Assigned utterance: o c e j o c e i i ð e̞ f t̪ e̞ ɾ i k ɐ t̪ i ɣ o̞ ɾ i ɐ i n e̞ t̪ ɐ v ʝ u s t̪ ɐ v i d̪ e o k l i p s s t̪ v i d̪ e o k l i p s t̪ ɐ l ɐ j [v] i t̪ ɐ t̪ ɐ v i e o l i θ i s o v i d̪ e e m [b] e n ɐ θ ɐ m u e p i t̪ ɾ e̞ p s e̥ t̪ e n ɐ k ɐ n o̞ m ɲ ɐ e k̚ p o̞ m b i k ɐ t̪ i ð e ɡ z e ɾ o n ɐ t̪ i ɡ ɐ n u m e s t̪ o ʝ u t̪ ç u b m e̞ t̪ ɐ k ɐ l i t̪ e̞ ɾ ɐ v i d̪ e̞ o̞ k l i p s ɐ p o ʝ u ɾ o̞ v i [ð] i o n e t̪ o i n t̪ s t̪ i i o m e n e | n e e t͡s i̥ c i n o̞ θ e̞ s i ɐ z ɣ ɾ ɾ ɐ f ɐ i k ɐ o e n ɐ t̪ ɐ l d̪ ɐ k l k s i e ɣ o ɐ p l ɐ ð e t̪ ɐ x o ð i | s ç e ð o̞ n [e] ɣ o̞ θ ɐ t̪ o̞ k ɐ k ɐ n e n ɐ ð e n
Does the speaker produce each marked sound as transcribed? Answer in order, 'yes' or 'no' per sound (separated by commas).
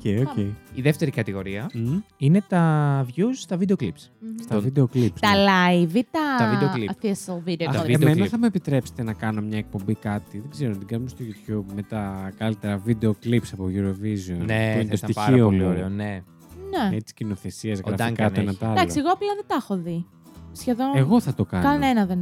yes, no, no, yes